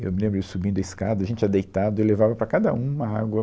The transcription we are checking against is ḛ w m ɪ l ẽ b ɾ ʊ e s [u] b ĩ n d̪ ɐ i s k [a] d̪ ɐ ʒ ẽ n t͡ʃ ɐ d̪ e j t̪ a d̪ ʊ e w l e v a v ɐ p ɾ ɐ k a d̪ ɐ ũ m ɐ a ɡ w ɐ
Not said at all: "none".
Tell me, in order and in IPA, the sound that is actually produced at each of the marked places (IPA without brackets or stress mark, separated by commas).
u, a